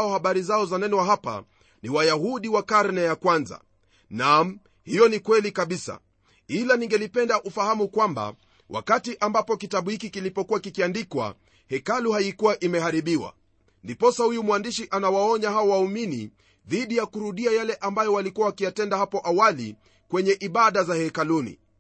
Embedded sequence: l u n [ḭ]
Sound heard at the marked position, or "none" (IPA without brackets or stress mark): ḭ